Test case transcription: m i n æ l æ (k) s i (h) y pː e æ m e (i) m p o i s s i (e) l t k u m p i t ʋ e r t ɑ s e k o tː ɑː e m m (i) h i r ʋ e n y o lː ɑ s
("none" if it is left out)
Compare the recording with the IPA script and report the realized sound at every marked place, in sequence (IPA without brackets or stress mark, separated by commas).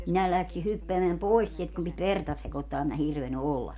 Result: k, h, æ, e, æ